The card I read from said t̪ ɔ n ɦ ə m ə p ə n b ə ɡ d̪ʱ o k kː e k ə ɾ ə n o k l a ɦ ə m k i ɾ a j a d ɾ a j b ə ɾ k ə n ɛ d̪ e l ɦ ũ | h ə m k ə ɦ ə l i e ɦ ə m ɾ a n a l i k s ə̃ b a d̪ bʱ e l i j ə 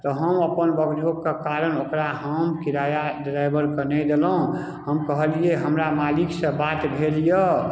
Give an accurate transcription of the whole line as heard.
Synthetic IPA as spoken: t̪ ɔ ɦ ə m ə p ə n b ə ɡ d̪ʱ o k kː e k a ɾ ə n o k ɾ a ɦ ə m k i ɾ a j a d ɾ a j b ə ɾ k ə n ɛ d̪ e l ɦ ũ | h ə m k ə ɦ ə l i e ɦ ə m ɾ a m a l i k s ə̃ b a t̪ bʱ e l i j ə